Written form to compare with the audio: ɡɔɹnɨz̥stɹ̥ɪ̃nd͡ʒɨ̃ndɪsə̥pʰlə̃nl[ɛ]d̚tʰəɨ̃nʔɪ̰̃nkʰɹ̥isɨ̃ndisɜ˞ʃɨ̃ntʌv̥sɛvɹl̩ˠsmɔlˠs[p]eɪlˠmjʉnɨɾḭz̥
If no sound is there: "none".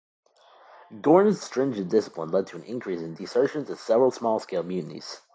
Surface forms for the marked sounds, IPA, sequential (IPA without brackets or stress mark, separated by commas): ɛ, k